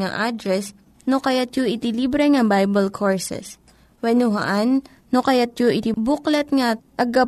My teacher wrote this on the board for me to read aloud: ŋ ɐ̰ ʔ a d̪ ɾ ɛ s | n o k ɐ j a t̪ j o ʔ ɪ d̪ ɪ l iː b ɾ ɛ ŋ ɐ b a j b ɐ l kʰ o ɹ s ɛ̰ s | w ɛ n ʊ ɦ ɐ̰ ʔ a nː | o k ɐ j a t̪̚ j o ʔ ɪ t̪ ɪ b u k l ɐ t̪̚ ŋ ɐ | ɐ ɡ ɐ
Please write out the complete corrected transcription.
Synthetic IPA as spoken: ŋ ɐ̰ ʔ a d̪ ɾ ɛ s | n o k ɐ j a t̪ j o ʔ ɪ t̪ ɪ l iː b ɾ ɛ ŋ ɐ b a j b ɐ l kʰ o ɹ s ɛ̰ s | w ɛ n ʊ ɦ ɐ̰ ʔ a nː | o k ɐ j a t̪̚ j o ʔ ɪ t̪ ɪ b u k l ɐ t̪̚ ŋ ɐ | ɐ ɡ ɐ